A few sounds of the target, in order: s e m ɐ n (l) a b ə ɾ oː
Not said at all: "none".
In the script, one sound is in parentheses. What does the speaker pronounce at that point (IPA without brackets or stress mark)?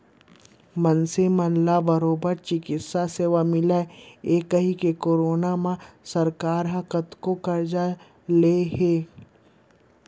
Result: l